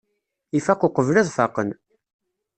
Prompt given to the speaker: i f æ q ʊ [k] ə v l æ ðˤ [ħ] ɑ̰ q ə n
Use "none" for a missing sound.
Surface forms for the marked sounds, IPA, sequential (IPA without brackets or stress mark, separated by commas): q, f